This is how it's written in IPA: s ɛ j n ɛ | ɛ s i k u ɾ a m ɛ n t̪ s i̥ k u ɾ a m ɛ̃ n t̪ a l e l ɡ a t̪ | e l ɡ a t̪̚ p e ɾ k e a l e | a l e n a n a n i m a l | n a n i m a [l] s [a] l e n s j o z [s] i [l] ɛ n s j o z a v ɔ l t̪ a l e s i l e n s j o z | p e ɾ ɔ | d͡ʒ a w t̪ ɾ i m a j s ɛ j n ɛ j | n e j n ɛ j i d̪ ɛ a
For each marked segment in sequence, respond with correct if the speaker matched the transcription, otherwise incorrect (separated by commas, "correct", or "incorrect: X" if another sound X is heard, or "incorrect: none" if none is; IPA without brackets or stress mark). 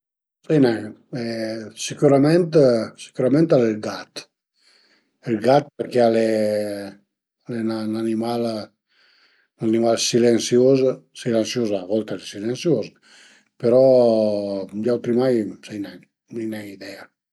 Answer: correct, incorrect: i, correct, correct